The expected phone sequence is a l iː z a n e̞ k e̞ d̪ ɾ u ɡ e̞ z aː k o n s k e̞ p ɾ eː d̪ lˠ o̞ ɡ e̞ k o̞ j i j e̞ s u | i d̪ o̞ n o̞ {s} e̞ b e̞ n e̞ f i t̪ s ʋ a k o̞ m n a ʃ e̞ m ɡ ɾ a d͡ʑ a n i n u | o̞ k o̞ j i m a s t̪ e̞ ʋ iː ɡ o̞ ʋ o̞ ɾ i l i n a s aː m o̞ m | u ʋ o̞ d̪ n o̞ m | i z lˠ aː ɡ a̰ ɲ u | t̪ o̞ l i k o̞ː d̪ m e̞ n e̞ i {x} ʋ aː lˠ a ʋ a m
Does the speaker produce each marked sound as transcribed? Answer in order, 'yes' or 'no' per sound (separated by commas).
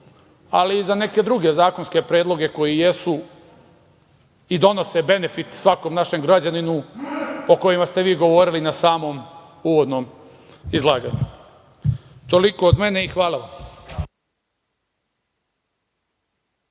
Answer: yes, yes